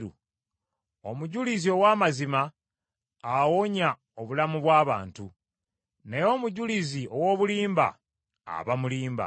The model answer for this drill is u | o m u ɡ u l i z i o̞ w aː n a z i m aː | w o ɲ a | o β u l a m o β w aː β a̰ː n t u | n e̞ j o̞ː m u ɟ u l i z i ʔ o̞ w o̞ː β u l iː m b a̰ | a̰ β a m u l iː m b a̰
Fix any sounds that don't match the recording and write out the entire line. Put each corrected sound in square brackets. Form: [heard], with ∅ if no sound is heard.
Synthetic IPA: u | o m u [ɟ] u l i z i o̞ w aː [m] a z i m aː | w o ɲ a | o β u l a m [u] β w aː β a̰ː n t u | n e̞ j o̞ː m u ɟ u l i z i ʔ o̞ w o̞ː β u l iː m b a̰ | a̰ β a m u l iː m b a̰